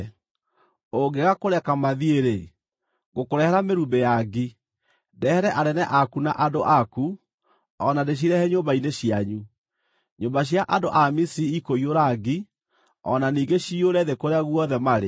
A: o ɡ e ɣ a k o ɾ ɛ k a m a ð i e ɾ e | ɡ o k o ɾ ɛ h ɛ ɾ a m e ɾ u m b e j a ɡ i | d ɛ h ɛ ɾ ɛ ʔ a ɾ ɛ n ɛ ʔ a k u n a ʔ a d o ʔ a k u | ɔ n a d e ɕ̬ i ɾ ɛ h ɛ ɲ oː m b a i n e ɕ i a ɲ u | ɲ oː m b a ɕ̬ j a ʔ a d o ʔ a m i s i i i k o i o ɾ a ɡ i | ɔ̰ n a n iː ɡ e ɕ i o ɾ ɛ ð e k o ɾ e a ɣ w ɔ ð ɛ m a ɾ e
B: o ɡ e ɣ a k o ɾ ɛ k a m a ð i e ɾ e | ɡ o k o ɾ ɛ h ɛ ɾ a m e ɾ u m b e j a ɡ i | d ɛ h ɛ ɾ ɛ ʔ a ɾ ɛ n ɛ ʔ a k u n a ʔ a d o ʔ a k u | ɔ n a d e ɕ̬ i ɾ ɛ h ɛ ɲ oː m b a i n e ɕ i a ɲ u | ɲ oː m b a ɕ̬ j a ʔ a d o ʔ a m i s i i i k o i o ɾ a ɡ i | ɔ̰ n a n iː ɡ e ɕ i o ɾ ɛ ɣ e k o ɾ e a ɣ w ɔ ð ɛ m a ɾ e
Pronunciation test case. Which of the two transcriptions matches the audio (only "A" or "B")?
A